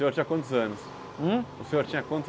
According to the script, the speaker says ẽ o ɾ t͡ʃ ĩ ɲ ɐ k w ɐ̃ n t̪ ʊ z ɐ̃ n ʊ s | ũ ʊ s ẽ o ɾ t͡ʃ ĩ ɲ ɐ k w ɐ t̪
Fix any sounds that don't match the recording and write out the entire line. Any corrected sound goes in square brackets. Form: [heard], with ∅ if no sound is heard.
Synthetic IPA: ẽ o ɾ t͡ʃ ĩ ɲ ɐ k w ɐ̃ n t̪ ʊ z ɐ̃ n ʊ s | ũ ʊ s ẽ o ɾ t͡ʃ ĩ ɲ ɐ k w [ɐ̃] t̪